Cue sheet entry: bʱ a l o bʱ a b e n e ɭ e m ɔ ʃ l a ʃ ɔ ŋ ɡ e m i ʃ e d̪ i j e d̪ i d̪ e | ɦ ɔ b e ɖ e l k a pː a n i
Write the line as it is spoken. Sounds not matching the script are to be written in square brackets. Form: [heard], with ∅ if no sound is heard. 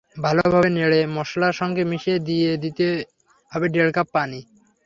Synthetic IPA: bʱ a l o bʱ a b e n e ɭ e m ɔ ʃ l a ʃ ɔ ŋ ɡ e m i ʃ e d̪ i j e d̪ i [t̪] e | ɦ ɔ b e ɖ e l k a pː a n i

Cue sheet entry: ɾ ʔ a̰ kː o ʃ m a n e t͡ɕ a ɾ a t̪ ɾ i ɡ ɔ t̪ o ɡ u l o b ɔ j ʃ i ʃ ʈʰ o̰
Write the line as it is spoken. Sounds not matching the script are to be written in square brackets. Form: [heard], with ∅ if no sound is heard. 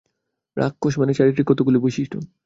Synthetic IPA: ɾ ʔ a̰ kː o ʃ m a n e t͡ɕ a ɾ [i] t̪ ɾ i [k] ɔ t̪ o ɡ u l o b [o] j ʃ i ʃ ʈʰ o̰

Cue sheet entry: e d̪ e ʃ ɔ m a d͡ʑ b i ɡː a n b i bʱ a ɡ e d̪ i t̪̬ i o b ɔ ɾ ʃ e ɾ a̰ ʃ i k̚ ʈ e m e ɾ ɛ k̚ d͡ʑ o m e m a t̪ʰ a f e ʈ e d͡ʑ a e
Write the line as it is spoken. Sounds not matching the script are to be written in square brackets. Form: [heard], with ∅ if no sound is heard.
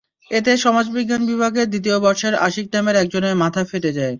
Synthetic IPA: e [t̪] e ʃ ɔ m a d͡ʑ b i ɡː a n b i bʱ a ɡ e d̪ i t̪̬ i o b ɔ ɾ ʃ e ɾ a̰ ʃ i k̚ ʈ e m e ɾ ɛ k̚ d͡ʑ o [n] e m a t̪ʰ a f e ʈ e d͡ʑ a e

